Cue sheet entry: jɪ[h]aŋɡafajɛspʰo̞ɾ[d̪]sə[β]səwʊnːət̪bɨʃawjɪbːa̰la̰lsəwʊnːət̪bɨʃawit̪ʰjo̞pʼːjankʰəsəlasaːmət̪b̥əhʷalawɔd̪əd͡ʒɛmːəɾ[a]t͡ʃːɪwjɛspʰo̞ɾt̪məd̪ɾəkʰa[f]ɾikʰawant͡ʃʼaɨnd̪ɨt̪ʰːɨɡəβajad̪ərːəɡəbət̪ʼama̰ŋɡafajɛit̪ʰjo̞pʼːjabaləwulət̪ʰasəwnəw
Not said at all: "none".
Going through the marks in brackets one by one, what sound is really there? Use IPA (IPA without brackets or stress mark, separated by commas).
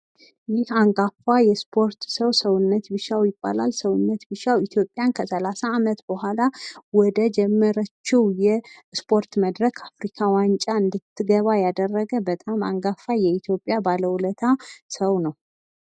h, t̪, w, ə, f